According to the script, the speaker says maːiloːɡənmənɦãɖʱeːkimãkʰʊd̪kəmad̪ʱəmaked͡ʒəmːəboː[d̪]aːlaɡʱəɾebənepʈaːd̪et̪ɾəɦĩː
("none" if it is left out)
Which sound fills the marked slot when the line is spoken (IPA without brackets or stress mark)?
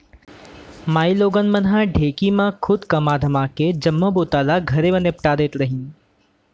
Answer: t̪